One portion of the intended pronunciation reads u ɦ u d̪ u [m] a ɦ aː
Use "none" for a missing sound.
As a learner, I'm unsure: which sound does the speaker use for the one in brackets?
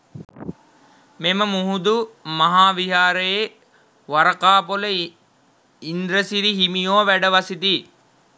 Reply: m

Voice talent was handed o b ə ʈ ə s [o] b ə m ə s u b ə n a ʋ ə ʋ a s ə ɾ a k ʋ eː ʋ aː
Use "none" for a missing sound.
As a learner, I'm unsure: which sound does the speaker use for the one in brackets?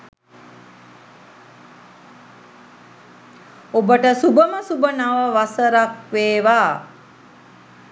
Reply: u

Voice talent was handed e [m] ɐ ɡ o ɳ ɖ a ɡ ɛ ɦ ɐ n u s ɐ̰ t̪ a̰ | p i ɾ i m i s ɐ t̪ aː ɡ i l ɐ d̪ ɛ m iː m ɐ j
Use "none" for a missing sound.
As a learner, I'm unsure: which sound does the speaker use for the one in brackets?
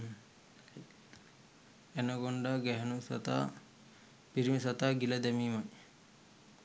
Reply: n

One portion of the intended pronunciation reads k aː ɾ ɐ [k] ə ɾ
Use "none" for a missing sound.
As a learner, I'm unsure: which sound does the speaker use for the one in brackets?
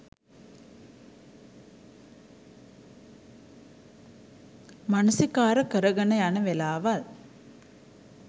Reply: k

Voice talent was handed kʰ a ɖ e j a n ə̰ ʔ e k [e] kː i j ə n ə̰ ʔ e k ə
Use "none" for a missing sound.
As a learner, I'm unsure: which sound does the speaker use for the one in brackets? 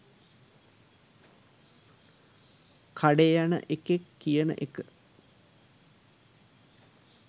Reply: e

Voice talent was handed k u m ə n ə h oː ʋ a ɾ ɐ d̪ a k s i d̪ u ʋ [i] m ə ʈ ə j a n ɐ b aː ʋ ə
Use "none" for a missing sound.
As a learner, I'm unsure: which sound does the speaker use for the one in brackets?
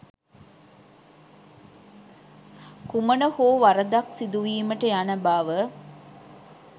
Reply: iː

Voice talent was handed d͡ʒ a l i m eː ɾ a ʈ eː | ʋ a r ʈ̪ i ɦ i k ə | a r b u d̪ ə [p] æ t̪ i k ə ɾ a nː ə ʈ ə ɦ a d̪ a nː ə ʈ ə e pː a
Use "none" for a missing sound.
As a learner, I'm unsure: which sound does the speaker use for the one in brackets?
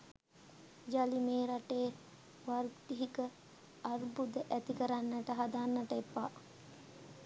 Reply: ʔ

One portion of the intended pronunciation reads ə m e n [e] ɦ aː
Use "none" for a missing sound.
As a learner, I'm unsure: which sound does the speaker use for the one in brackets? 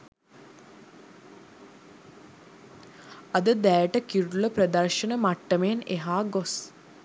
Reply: e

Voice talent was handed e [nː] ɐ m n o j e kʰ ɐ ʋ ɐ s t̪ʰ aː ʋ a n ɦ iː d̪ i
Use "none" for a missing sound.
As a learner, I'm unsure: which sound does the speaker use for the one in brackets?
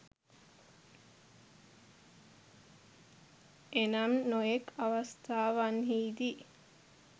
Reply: n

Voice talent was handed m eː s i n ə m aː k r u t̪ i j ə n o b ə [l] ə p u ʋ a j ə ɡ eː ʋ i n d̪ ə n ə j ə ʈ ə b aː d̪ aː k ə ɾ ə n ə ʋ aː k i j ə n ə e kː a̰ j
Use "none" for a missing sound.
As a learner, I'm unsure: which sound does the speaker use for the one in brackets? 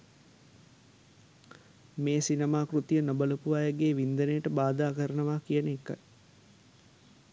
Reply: l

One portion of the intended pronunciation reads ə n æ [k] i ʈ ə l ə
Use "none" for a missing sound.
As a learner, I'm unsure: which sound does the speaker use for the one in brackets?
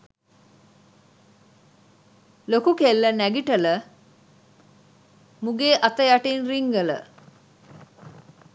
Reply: ɡ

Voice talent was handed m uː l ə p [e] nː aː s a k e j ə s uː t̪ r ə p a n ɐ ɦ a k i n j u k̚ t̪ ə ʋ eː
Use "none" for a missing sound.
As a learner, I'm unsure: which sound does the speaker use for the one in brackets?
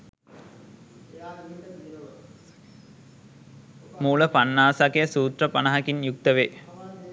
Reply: a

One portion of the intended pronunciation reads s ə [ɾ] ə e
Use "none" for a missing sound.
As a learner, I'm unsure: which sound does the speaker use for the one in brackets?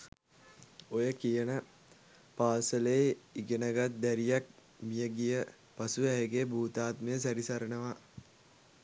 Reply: l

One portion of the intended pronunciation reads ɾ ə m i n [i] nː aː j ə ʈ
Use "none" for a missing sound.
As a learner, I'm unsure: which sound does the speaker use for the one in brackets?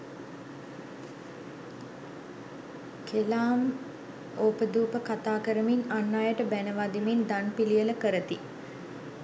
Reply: a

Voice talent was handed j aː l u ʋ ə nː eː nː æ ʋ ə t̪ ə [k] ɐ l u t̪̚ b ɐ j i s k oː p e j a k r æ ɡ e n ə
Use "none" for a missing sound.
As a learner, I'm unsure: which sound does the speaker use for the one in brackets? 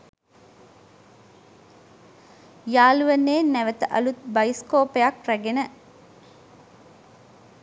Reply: ʔ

